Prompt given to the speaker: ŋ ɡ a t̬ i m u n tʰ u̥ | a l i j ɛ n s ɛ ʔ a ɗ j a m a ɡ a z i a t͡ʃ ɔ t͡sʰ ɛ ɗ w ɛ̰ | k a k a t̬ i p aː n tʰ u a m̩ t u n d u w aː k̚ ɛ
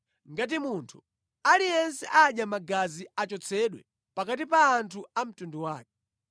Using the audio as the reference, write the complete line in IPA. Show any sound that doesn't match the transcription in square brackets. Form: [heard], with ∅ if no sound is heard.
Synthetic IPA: ŋ ɡ a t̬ i m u n tʰ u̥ | a l i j ɛ n s ɛ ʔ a ɗ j a m a ɡ a z i a t͡ʃ ɔ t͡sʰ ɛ ɗ w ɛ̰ | [p] a k a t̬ i p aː n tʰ u a m̩ t u n d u w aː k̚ ɛ